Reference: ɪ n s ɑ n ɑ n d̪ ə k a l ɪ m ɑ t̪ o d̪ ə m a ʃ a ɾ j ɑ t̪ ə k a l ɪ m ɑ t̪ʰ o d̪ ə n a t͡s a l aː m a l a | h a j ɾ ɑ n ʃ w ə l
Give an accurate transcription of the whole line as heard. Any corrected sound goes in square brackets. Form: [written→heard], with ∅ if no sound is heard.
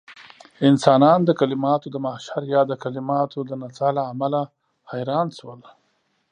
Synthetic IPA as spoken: ɪ n s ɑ n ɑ n d̪ ə k a l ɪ m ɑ t̪ o d̪ ə m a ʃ a ɾ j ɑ [t̪→d̪] ə k a l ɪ m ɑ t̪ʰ o d̪ ə n a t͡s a l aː m a l a | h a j ɾ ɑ n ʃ w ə l